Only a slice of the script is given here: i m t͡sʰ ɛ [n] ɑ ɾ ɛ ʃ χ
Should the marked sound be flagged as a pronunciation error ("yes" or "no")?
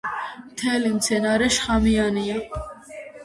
no